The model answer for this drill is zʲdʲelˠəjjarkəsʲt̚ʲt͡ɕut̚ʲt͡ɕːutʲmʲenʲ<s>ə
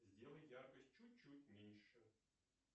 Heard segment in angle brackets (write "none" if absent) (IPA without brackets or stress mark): ʂ